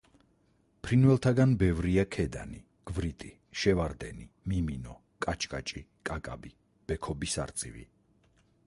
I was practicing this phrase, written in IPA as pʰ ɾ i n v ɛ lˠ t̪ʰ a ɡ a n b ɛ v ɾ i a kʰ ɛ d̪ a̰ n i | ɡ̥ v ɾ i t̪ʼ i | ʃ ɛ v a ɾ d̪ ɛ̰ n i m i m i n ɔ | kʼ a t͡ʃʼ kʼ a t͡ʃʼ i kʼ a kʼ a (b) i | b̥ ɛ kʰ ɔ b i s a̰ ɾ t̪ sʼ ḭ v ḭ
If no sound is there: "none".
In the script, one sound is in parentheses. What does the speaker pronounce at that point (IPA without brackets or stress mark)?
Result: b